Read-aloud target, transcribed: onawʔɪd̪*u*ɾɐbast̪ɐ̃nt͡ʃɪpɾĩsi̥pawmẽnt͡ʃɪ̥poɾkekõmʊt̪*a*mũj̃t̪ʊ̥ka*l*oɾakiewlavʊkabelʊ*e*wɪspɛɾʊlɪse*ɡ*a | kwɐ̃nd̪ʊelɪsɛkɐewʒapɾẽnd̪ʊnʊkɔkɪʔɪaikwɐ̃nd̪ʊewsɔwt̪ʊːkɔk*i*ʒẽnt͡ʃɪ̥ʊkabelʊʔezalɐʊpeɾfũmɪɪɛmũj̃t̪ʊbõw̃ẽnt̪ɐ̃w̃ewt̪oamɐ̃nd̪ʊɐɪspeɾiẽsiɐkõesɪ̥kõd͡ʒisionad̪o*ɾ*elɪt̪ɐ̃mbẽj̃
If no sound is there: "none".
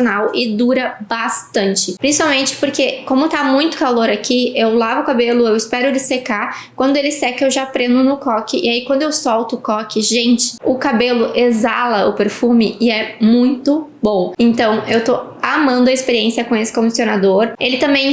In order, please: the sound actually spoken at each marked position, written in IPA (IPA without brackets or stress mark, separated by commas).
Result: u, a, l, e, k, ɪ, ɾ